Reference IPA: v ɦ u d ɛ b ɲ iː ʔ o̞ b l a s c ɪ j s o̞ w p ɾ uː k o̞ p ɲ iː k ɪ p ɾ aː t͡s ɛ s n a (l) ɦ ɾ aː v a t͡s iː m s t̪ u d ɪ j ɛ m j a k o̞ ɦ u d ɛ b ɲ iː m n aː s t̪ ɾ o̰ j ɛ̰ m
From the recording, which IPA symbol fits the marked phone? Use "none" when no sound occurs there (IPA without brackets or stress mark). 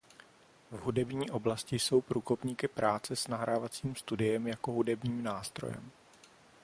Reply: none